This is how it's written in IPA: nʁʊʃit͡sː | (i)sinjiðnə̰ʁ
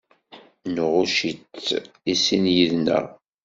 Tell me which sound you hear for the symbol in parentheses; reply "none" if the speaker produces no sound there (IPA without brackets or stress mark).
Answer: i